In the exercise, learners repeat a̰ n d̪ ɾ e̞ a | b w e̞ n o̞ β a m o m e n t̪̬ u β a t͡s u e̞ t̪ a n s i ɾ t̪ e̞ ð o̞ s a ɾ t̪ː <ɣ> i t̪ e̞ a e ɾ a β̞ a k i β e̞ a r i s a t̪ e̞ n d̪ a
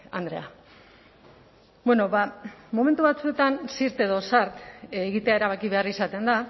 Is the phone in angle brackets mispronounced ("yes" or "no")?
no